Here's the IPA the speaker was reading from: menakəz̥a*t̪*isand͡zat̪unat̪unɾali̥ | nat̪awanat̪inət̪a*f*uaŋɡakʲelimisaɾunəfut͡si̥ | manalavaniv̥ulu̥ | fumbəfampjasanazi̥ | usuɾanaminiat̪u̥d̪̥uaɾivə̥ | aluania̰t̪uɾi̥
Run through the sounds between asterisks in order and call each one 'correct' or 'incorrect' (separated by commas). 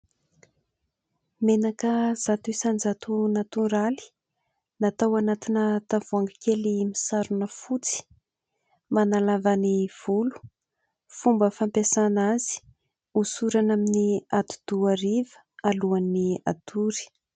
correct, incorrect